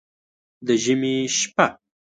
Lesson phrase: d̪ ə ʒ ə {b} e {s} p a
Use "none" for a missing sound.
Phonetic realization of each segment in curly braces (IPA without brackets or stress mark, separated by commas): m, ʃ